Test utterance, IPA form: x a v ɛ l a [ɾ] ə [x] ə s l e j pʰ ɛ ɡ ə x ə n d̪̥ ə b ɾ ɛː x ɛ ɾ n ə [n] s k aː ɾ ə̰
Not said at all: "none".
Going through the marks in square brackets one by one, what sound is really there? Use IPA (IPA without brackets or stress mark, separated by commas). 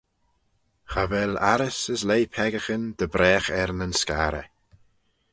ɾ, s, n